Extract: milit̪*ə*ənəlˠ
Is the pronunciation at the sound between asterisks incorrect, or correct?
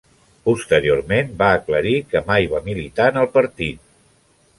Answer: incorrect